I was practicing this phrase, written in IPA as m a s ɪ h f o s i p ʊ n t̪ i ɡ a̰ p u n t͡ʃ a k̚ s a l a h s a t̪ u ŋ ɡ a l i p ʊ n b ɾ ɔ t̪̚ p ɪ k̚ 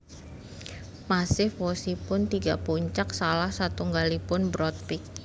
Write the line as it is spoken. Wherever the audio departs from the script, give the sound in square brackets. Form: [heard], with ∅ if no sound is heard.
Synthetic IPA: m a s ɪ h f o s i p ʊ n t̪ i ɡ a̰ p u [ɲ] t͡ʃ a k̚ s a l a h s a t̪ u ŋ ɡ a l i p ʊ n b ɾ ɔ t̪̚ p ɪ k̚